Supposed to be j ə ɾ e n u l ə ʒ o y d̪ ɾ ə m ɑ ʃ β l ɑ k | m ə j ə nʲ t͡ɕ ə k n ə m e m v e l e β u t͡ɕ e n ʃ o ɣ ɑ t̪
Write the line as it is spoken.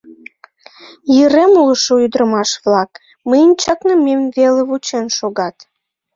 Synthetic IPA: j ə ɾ e m u l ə ʃ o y d̪ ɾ ə m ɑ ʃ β l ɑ k | m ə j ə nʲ t͡ɕ ɑ k n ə m e m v e l e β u t͡ɕ e n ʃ o ɣ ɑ t̪